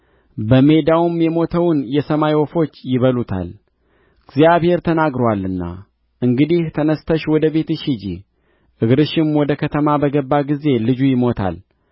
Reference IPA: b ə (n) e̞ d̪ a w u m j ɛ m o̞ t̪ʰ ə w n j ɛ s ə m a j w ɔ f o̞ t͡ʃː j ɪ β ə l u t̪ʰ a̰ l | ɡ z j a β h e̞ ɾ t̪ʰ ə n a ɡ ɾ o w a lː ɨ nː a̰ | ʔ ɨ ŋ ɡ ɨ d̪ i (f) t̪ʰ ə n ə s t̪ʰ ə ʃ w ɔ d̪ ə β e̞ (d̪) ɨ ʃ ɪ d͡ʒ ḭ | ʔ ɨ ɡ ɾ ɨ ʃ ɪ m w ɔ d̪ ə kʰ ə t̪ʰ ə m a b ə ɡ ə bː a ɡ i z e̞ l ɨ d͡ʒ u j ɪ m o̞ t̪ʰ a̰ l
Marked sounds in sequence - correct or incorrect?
incorrect: m, incorrect: h, incorrect: t̪

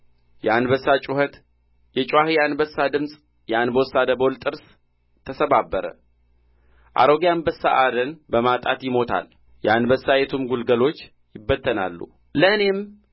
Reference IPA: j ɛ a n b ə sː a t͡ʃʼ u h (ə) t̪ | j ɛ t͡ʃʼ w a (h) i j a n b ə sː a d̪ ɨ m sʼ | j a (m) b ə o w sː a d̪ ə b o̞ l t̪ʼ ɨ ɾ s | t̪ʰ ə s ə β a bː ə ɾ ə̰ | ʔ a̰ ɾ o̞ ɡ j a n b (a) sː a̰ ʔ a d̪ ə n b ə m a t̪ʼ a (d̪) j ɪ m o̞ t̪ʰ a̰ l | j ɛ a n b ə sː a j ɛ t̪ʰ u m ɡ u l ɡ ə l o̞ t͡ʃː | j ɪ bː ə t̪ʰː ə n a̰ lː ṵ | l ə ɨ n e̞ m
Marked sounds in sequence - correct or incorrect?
correct, correct, incorrect: n, incorrect: ə, incorrect: t̪

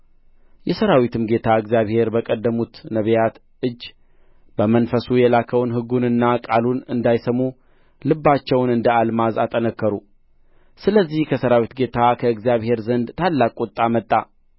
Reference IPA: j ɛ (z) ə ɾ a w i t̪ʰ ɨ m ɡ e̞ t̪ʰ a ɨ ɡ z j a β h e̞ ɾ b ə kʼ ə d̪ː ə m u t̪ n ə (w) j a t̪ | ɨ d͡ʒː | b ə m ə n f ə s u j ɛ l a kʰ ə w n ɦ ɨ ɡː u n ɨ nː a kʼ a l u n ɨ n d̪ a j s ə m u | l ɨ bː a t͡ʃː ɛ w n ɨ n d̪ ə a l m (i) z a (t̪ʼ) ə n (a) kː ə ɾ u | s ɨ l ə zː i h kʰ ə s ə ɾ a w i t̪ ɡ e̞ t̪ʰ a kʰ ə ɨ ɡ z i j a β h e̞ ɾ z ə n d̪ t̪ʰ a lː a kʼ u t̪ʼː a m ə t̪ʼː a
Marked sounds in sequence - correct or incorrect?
incorrect: s, incorrect: β, incorrect: a, correct, incorrect: ə

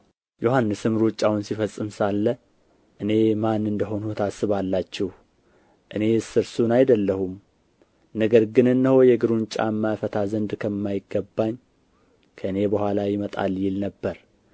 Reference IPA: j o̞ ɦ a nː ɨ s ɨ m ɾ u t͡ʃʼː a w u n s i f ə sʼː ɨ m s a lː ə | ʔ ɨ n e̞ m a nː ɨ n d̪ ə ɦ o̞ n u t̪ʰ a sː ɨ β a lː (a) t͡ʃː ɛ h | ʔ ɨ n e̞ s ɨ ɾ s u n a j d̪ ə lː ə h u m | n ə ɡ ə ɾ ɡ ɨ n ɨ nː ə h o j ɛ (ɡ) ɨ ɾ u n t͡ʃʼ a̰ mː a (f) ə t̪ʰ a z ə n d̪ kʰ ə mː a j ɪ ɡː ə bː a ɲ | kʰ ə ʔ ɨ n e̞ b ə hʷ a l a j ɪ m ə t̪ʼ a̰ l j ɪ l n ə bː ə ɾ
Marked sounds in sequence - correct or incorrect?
correct, correct, correct

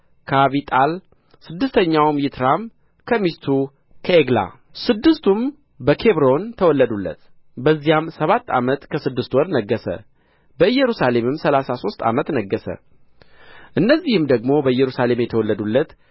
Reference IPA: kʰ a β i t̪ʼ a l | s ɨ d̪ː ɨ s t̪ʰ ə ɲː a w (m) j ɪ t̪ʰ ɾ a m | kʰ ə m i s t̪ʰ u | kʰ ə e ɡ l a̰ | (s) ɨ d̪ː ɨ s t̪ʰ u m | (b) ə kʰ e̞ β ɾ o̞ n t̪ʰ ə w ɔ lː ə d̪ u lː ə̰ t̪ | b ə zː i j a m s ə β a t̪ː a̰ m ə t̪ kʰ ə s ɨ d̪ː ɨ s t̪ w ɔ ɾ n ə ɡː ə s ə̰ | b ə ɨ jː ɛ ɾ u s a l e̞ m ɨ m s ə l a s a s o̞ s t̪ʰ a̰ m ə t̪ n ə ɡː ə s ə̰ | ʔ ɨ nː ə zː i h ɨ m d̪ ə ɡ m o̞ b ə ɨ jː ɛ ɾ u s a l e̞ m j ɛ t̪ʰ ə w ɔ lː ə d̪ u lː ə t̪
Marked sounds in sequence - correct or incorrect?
correct, correct, correct

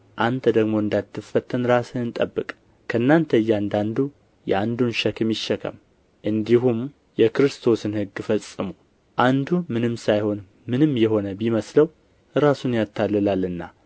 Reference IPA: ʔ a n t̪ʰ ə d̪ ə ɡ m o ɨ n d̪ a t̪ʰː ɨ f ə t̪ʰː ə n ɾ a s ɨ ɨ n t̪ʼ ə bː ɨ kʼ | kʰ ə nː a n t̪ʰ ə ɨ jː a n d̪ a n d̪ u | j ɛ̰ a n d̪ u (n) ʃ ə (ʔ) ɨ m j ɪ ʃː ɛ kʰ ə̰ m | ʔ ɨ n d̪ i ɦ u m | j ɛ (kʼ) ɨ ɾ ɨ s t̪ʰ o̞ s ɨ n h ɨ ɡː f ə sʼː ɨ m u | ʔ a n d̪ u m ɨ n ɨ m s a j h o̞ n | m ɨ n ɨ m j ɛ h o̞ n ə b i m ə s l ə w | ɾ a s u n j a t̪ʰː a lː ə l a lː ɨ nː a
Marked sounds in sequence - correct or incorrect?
correct, incorrect: k, incorrect: k

